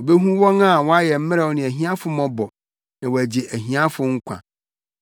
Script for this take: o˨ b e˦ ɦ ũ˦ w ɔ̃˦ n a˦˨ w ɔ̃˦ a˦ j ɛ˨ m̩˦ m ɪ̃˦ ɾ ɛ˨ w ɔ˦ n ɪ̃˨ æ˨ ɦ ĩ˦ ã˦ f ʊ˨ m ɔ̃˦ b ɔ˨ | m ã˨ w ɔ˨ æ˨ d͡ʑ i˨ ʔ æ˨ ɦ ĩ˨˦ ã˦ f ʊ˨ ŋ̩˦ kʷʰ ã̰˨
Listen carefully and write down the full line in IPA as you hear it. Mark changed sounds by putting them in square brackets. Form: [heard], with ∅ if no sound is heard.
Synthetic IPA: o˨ b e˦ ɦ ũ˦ w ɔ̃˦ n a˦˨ w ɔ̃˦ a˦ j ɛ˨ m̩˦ m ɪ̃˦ ɾ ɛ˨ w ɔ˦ n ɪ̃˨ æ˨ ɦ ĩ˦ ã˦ f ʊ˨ m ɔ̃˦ b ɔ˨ | [n] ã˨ w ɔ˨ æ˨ d͡ʑ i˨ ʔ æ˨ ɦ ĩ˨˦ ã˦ f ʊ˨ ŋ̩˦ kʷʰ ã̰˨